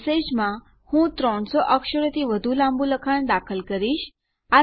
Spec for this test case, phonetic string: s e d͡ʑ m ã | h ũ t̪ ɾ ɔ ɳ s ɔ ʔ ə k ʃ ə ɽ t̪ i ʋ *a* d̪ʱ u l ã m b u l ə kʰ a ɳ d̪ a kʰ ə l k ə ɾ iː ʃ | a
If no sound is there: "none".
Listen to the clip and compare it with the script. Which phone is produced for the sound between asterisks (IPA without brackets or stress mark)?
ə